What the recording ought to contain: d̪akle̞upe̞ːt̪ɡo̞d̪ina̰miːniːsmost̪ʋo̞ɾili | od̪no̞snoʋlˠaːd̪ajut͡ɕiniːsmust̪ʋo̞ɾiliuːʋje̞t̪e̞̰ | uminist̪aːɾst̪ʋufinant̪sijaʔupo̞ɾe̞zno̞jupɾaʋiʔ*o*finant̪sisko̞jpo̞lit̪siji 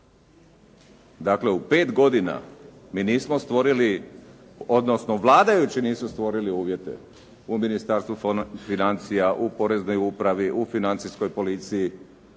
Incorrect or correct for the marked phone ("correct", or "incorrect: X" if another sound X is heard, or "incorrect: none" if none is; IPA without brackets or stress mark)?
incorrect: u